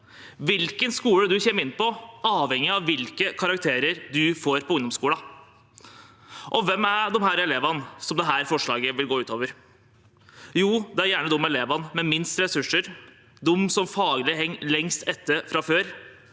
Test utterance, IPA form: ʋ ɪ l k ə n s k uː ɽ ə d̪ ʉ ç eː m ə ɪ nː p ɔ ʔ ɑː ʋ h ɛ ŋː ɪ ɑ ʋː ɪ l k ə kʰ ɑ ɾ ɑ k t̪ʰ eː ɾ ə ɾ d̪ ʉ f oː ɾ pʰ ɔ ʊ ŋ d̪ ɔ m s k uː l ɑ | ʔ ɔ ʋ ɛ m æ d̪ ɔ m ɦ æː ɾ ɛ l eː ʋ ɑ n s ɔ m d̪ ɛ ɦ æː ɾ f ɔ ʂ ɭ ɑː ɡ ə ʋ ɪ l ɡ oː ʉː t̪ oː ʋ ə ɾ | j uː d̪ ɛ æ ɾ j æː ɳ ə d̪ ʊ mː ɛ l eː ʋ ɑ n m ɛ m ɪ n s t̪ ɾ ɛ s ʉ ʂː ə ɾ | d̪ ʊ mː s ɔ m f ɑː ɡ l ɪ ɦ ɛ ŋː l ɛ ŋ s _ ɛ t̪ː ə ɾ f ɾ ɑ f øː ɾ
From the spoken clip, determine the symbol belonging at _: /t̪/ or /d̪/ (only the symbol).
t̪